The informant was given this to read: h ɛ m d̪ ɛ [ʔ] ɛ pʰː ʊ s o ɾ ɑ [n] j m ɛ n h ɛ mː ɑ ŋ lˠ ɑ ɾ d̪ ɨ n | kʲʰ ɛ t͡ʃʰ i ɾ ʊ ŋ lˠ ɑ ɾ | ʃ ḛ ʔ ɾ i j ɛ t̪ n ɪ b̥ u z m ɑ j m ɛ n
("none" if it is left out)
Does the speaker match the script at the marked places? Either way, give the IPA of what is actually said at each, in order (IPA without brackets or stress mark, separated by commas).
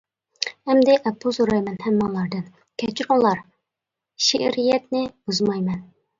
ʔ, none